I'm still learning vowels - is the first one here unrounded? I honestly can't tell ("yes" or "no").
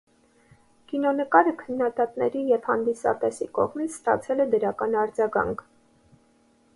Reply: yes